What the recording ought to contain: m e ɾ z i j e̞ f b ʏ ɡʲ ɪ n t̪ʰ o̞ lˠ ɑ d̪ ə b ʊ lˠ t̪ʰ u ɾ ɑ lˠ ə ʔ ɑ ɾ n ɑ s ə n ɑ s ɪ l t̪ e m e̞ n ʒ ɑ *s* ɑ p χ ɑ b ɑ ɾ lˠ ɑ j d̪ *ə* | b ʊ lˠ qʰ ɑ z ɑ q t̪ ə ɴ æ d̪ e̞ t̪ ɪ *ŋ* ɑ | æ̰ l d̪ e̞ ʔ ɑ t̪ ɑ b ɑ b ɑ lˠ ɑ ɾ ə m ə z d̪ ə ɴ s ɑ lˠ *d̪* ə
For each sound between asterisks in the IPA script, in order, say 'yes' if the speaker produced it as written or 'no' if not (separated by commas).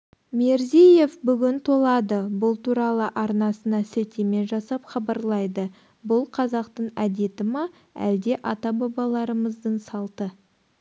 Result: yes, yes, no, no